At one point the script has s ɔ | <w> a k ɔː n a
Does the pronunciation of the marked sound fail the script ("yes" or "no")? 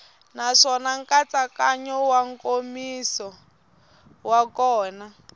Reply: no